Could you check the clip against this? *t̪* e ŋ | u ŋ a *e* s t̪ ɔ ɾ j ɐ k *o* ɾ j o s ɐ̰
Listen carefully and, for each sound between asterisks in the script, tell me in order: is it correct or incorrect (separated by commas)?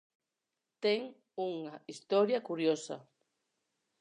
correct, incorrect, incorrect